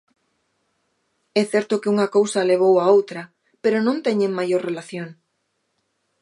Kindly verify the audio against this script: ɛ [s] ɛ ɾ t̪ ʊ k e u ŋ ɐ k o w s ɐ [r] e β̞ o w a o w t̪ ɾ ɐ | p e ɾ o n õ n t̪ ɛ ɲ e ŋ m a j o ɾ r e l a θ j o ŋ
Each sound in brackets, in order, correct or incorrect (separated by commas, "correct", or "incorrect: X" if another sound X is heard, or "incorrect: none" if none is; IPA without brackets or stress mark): incorrect: θ, incorrect: l